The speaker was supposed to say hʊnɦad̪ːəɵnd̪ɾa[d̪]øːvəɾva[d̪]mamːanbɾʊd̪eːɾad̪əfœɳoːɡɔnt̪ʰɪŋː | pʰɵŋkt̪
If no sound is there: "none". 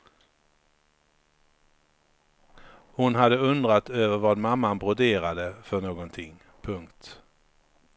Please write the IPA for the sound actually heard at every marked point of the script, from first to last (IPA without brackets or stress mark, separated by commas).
t̪, d̪